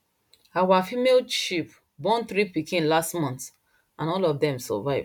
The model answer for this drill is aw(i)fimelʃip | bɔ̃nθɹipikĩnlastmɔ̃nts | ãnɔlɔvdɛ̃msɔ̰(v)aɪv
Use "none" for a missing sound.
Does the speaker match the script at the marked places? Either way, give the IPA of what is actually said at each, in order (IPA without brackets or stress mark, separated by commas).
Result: a, v